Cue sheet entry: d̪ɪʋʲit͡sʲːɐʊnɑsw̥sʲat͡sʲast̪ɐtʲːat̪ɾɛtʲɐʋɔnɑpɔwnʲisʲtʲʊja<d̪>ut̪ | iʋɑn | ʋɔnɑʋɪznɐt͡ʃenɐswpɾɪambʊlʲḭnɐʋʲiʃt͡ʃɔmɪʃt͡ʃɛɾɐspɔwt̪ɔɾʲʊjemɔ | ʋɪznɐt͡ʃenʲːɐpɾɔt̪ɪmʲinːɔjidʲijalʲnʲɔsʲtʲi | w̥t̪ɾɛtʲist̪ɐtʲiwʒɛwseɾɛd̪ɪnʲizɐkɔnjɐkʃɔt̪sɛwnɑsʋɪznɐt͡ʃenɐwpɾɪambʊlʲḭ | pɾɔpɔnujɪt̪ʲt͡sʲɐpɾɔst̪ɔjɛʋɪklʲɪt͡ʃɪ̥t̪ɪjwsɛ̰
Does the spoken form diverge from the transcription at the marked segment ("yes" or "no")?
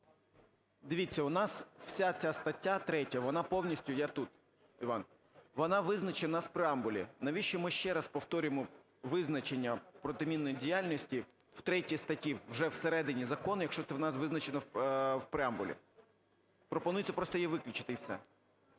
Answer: yes